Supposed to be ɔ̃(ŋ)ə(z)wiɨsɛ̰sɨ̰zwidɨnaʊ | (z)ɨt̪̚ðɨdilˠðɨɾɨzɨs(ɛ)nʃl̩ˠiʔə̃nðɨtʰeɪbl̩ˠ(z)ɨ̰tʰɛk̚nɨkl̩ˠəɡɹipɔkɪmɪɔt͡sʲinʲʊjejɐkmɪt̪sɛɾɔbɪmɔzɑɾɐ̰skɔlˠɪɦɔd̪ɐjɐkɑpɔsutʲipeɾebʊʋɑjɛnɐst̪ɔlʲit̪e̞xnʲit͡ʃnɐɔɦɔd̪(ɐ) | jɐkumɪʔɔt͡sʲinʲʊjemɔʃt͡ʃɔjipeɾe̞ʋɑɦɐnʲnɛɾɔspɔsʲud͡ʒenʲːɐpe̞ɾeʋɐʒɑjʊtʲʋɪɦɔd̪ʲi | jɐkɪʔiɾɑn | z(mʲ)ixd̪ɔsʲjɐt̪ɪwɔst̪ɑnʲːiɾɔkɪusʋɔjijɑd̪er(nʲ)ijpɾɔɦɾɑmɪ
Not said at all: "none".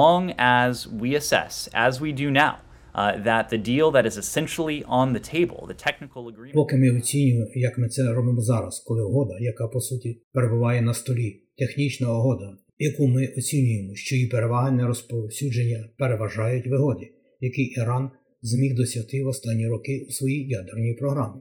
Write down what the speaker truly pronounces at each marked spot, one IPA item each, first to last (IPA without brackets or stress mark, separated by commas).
ŋ, z, ð, ɛ̃, ð, ɐ, mʲ, nʲ